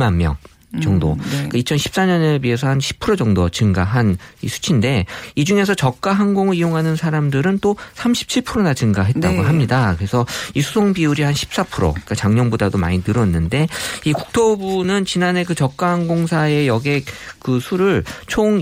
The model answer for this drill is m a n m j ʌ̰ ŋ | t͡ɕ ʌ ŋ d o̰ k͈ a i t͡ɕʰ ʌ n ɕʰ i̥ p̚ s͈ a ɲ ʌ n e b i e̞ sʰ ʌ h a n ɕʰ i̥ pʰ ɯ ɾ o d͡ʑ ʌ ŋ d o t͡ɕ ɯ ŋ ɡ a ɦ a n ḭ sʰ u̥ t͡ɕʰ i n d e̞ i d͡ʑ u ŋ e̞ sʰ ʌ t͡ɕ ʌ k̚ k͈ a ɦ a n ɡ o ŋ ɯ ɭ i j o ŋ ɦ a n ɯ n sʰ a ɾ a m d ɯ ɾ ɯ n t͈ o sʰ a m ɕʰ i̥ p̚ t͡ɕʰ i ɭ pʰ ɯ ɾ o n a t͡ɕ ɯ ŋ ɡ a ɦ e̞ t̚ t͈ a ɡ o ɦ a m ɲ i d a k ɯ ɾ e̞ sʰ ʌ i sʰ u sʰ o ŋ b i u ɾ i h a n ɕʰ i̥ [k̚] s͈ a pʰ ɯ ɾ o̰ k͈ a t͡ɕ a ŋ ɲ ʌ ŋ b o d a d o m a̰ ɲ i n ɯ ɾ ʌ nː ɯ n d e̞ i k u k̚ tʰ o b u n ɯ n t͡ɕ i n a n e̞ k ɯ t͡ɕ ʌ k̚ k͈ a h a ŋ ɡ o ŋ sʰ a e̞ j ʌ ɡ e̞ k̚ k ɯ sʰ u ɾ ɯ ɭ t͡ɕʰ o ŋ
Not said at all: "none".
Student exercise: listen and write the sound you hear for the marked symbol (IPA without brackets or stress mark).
p̚